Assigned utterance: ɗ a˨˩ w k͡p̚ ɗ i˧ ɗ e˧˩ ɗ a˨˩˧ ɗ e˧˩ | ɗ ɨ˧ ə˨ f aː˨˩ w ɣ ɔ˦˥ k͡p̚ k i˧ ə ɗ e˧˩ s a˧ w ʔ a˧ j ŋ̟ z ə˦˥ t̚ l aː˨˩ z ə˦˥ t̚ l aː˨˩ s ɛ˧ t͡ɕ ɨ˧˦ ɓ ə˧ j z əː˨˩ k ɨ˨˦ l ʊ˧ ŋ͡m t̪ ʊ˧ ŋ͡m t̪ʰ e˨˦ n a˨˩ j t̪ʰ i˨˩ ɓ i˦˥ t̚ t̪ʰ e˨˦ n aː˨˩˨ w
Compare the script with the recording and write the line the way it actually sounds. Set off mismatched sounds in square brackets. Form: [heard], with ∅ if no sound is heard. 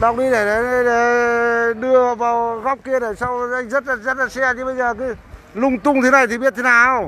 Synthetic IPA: ɗ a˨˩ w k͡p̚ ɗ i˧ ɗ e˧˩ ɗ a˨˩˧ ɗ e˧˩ | ɗ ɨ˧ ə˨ [v] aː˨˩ w ɣ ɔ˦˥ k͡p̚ k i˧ ə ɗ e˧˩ s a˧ w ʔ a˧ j ŋ̟ z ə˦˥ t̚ l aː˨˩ z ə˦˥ t̚ l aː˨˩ s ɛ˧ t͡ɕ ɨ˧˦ ɓ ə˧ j z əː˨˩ k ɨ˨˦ l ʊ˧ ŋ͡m t̪ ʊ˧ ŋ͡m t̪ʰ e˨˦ n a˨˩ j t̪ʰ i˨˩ ɓ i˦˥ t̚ t̪ʰ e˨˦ n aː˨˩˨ w